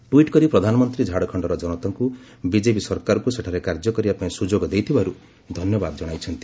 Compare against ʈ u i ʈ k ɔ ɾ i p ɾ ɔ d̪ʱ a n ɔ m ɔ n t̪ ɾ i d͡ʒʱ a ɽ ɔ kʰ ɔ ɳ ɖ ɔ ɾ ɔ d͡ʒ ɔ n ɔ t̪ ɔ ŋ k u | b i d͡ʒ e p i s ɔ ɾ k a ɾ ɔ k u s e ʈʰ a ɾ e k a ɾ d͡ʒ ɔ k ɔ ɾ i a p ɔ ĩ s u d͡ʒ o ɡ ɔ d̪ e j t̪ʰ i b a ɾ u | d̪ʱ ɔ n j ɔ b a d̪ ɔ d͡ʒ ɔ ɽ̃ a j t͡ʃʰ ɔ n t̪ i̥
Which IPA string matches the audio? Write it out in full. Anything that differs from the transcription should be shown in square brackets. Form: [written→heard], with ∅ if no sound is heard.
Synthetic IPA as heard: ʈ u i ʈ k ɔ ɾ i p ɾ ɔ d̪ʱ a n ɔ m ɔ n t̪ ɾ i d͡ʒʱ a ɽ ɔ kʰ ɔ ɳ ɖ ɔ ɾ ɔ d͡ʒ ɔ n ɔ t̪ ɔ ŋ k u | b i d͡ʒ e p i s ɔ ɾ k a ɾ ɔ k u s e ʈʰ a ɾ e k a ɾ d͡ʒ ɔ k ɔ ɾ i a p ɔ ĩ s u d͡ʒ o ɡ ɔ d̪ e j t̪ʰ i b a ɾ u | d̪ʱ ɔ n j ɔ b a d̪ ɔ d͡ʒ ɔ ɽ̃ a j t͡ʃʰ ɔ n t̪ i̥